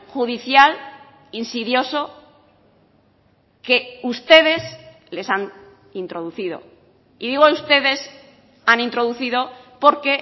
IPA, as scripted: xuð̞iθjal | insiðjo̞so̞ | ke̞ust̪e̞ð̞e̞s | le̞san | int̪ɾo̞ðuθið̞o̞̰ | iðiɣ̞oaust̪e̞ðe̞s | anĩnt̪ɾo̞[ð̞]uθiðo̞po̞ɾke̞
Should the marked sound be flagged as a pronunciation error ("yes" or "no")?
no